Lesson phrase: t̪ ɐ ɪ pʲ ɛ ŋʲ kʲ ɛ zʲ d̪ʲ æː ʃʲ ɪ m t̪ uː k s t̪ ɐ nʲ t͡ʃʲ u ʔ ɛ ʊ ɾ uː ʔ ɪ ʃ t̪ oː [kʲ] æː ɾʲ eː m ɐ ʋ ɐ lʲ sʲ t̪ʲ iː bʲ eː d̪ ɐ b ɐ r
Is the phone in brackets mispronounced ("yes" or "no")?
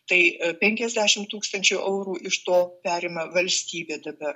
yes